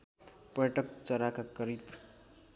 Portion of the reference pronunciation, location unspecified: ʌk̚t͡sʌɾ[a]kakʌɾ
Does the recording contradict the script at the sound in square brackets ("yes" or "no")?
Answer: no